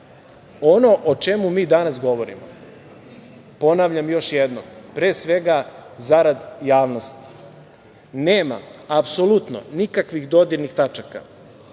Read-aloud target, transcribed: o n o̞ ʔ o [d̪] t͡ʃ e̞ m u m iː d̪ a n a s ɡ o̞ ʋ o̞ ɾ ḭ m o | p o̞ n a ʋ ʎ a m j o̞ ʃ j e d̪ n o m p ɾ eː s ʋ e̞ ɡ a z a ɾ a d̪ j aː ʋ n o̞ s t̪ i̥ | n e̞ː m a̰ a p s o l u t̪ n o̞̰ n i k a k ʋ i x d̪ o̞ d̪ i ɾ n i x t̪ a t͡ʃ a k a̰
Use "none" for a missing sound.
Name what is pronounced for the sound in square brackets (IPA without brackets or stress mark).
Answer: none